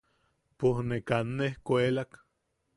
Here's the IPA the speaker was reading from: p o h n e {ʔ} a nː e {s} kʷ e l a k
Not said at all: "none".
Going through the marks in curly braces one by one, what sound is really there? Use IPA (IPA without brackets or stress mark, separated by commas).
k, h